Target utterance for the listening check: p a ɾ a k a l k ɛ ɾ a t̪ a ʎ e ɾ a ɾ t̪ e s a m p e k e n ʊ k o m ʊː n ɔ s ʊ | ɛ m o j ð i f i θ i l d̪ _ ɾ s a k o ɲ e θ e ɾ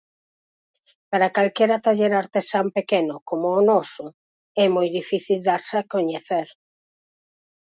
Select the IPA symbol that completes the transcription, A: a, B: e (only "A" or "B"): A